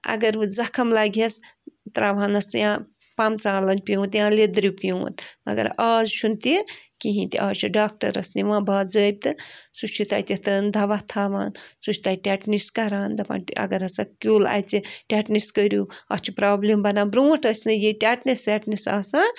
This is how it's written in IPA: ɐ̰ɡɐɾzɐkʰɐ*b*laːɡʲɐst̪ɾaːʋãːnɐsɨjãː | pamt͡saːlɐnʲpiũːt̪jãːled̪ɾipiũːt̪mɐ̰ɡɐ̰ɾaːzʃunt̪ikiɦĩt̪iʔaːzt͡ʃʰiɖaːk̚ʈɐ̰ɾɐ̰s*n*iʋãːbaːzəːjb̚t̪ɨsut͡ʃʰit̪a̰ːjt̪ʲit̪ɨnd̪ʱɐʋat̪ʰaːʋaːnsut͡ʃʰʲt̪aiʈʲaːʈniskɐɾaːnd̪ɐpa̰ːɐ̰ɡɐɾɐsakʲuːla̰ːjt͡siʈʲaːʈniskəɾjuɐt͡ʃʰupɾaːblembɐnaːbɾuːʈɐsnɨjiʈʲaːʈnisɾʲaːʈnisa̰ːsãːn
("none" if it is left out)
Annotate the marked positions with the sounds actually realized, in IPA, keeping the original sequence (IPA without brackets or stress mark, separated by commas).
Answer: m, n